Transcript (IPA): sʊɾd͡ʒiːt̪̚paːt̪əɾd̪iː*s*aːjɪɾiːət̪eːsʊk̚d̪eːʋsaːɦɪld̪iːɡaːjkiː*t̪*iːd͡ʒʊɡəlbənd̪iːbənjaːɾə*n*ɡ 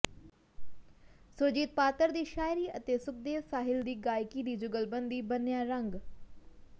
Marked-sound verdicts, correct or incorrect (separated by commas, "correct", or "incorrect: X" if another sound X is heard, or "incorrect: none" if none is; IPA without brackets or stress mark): incorrect: ʃ, incorrect: d̪, incorrect: ŋ